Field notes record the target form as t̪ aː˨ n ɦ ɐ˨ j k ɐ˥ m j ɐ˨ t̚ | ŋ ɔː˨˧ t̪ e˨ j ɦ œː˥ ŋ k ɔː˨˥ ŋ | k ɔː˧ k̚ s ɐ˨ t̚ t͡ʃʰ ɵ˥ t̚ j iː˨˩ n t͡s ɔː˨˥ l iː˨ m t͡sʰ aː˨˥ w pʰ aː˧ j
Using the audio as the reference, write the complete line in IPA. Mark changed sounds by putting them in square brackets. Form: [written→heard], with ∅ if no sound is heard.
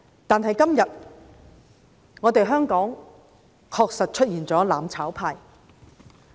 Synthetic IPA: t̪ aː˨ n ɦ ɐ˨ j k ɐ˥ m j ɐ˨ t̚ | ŋ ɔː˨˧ t̪ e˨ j ɦ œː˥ ŋ k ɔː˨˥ ŋ | [k→kʰ] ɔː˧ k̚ s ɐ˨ t̚ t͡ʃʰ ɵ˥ t̚ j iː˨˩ n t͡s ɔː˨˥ l [iː˨→aː˨] m t͡sʰ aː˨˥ w pʰ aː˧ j